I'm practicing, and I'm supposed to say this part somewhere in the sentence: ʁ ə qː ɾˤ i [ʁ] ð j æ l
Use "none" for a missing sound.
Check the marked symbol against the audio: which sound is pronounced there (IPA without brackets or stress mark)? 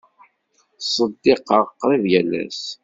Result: none